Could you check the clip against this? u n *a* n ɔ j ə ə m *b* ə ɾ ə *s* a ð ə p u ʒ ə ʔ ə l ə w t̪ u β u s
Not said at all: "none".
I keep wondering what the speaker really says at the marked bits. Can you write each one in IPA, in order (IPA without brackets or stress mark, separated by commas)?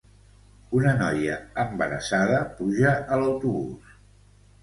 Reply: ə, b, s